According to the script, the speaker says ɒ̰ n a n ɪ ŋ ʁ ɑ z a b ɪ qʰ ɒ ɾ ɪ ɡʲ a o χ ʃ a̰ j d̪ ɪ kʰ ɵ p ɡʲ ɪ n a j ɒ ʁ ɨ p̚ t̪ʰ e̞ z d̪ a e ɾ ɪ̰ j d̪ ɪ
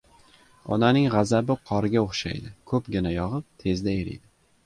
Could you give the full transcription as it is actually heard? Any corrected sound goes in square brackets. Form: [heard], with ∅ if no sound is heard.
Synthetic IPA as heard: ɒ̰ n a n ɪ ŋ ʁ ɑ z a b ɪ qʰ ɒ ɾ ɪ ɡʲ a o χ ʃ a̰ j d̪ ɪ kʰ ɵ p ɡʲ ɪ n a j ɒ ʁ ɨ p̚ t̪ʰ e̞ z d̪ a e ɾ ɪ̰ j d̪ ɪ

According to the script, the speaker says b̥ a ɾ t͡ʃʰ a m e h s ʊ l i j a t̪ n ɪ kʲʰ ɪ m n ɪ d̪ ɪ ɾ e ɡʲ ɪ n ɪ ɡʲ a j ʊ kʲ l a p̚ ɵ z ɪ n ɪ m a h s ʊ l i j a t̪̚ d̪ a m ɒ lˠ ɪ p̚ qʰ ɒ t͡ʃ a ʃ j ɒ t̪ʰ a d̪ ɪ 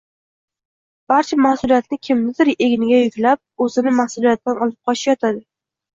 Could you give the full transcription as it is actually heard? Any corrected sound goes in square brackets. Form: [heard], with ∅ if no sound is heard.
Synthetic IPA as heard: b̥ a ɾ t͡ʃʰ a m [a] h s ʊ l i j a t̪ n ɪ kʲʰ ɪ m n ɪ d̪ ɪ ɾ e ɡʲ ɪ n ɪ ɡʲ a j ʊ kʲ l a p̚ ɵ z ɪ n ɪ m a h s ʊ l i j a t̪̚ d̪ a [n] ɒ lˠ ɪ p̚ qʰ ɒ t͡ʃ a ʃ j ɒ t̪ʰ a d̪ ɪ

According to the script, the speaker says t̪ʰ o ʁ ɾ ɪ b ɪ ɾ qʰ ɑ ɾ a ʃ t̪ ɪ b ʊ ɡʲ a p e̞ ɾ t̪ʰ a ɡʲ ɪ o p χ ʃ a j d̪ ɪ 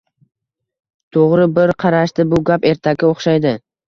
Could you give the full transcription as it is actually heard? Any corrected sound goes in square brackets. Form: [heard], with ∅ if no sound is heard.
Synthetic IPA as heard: t̪ʰ o ʁ ɾ ɪ b ɪ ɾ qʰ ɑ ɾ a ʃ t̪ ɪ b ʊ ɡʲ a p e̞ ɾ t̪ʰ a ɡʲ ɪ o [∅] χ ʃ a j d̪ ɪ

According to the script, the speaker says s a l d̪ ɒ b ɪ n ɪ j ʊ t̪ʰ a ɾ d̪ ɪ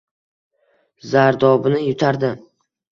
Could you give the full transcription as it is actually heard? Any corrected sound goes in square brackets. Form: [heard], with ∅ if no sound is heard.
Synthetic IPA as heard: [z] a [ɾ] d̪ ɒ b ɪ n ɪ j ʊ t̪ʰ a ɾ d̪ ɪ

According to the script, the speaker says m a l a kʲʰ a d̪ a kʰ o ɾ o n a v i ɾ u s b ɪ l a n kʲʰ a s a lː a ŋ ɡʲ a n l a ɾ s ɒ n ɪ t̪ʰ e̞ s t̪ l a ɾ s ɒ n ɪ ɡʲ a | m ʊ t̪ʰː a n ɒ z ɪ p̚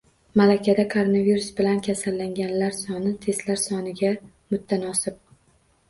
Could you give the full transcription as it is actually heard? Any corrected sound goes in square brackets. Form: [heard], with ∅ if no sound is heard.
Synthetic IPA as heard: m a l a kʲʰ a d̪ a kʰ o ɾ o n a v i ɾ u s b ɪ l a n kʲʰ a s a lː a ŋ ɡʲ a n l a ɾ s ɒ n ɪ t̪ʰ e̞ s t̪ l a ɾ s ɒ n ɪ ɡʲ a | m ʊ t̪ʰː a n ɒ [s] ɪ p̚

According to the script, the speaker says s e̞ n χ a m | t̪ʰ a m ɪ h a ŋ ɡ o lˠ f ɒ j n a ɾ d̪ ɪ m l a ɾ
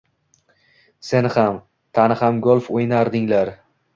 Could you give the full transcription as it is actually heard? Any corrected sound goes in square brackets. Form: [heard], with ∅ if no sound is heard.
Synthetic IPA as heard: s e̞ n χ a m | t̪ʰ a [n] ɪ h a [m] ɡ o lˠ f [o] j n a ɾ d̪ ɪ [ŋ] l a ɾ

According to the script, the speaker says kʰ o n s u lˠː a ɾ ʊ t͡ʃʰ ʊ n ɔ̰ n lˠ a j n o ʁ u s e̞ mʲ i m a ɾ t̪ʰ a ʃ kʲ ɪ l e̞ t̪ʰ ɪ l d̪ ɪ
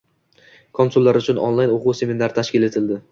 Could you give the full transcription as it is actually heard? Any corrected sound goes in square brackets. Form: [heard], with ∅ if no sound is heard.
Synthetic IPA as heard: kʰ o n s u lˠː a ɾ ʊ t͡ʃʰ ʊ n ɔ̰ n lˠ a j n o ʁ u s e̞ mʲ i [n] a ɾ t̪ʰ a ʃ kʲ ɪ l e̞ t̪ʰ ɪ l d̪ ɪ

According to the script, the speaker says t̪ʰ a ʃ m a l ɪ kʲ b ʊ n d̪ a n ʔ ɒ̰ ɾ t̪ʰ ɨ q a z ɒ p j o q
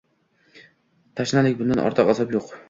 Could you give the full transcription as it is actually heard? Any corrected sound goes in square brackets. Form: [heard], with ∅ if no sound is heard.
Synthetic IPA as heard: t̪ʰ a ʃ [n] a l ɪ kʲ b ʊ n d̪ a n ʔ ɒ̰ ɾ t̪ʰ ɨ q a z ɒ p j o q

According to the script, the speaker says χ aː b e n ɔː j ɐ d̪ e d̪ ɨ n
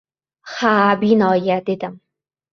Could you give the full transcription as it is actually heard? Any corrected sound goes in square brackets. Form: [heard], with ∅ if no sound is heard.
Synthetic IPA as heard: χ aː b [i] n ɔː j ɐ d̪ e d̪ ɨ [m]

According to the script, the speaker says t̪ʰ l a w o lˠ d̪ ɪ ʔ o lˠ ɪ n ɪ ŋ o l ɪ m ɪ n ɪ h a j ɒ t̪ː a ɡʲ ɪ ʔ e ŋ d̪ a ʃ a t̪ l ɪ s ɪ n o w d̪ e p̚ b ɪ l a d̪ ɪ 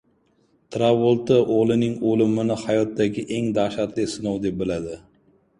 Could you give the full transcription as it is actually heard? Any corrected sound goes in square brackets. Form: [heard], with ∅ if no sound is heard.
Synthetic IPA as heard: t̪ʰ [ɾ] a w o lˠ [t̪] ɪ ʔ o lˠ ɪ n ɪ ŋ o l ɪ m ɪ n ɪ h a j ɒ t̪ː a ɡʲ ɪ ʔ e ŋ d̪ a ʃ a t̪ l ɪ s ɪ n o w d̪ e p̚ b ɪ l a d̪ ɪ

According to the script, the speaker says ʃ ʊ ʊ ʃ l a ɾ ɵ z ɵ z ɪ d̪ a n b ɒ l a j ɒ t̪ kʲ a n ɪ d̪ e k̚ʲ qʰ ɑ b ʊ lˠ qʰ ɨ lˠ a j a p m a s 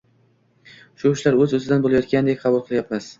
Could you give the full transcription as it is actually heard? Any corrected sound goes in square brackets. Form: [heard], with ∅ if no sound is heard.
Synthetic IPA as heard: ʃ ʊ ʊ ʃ l a ɾ ɵ z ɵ z ɪ d̪ a n b [o] l a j ɒ t̪ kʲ a n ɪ d̪ e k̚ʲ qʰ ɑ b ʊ lˠ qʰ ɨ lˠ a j a p m a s

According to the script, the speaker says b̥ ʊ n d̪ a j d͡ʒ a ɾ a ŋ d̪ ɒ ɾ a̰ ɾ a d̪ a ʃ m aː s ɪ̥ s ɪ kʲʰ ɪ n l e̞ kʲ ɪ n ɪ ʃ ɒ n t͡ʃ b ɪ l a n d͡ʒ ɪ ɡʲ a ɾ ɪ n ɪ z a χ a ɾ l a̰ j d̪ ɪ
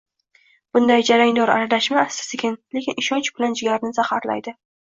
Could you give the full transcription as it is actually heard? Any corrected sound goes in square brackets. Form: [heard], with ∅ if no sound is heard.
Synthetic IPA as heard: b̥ ʊ n d̪ a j d͡ʒ a ɾ a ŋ d̪ ɒ ɾ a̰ ɾ a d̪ a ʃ m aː s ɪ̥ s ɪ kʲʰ ɪ n l e̞ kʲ ɪ n ɪ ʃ ɒ n t͡ʃ b ɪ l a n d͡ʒ ɪ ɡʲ a ɾ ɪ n ɪ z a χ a ɾ l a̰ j d̪ ɪ

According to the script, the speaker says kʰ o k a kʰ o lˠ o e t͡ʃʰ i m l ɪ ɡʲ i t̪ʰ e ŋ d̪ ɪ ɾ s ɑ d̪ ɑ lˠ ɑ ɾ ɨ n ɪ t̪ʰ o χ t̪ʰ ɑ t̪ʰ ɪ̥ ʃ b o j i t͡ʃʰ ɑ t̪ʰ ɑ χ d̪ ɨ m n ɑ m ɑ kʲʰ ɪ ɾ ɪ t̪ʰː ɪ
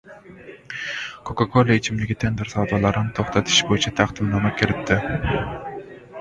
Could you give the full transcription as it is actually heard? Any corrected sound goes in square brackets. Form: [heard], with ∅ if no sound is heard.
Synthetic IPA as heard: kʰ o k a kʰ o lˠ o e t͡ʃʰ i m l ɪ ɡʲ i t̪ʰ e [n] d̪ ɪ ɾ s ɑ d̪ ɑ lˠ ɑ ɾ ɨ n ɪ t̪ʰ o χ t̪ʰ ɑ t̪ʰ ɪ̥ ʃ b o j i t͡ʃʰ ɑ t̪ʰ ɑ χ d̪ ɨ m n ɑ m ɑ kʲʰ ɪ ɾ ɪ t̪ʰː ɪ

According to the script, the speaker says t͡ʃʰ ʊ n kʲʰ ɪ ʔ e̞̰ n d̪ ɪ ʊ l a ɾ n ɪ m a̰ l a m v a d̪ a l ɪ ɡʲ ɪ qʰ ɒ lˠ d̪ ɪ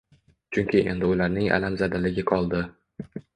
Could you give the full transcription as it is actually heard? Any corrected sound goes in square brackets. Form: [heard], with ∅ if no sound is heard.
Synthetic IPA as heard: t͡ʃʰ ʊ [ŋ] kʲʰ ɪ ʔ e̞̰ n d̪ ɪ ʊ l a ɾ n ɪ [ŋ] a̰ l a m [z] a d̪ a l ɪ ɡʲ ɪ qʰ ɒ lˠ d̪ ɪ

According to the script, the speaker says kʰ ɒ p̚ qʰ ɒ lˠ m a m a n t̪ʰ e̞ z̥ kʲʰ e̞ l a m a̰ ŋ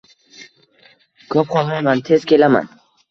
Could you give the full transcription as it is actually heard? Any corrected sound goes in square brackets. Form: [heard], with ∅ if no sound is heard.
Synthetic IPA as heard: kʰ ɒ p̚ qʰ ɒ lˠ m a m a n t̪ʰ e̞ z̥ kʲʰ e̞ l a m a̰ [n]

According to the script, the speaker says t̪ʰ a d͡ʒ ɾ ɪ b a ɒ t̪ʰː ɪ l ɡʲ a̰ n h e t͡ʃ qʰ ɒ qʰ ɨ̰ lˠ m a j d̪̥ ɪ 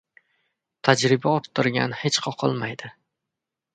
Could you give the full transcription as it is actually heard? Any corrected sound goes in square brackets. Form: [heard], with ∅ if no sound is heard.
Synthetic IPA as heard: t̪ʰ a d͡ʒ ɾ ɪ b a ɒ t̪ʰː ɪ [ɾ] ɡʲ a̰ n h e t͡ʃ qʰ ɒ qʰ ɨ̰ lˠ m a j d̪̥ ɪ

